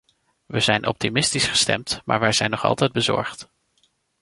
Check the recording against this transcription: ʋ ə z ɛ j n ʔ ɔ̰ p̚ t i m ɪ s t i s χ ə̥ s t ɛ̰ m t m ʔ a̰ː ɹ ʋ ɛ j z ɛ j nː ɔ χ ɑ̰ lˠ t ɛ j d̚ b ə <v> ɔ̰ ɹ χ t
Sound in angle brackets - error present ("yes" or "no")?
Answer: yes